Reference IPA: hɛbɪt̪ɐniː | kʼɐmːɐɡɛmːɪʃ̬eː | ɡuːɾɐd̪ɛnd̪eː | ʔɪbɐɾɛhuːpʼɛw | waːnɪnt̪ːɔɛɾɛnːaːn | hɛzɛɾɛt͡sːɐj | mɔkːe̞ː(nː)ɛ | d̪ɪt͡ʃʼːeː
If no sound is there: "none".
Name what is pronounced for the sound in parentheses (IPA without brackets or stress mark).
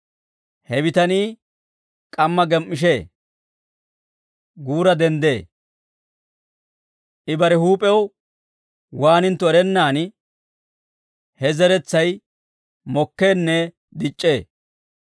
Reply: nː